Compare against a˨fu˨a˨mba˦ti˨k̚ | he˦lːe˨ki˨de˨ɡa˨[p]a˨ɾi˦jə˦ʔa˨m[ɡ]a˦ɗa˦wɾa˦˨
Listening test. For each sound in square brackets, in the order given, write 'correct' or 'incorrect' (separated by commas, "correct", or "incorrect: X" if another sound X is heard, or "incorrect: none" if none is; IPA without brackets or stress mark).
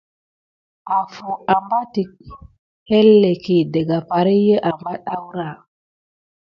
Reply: correct, incorrect: b